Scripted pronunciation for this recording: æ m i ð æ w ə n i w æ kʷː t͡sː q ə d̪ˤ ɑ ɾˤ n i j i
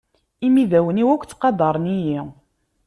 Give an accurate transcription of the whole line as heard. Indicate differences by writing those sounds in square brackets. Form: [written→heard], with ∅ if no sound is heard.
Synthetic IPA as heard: [æ→i] m i ð æ w ə n i w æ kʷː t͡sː q [ə→ɑ] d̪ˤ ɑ ɾˤ n i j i